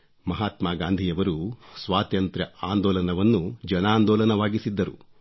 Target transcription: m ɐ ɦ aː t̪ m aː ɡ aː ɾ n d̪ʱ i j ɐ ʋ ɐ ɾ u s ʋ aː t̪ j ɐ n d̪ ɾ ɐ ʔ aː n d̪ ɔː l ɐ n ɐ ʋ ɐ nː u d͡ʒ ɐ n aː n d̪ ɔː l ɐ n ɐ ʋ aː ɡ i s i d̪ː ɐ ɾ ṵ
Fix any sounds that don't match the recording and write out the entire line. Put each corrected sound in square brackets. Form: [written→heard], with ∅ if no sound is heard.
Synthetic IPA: m ɐ ɦ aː t̪ m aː ɡ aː [ɾ→∅] n d̪ʱ i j ɐ ʋ ɐ ɾ u s ʋ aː t̪ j ɐ n [d̪→t̪] ɾ ɐ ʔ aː n d̪ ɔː l ɐ n ɐ ʋ ɐ nː u d͡ʒ ɐ n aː n d̪ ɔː l ɐ n ɐ ʋ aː ɡ i s i d̪ː ɐ ɾ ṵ